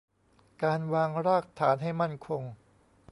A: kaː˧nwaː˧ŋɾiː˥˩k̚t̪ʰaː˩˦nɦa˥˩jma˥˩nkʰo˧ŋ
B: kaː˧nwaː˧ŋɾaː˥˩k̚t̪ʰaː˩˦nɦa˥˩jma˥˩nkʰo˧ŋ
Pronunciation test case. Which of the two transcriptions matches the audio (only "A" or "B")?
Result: B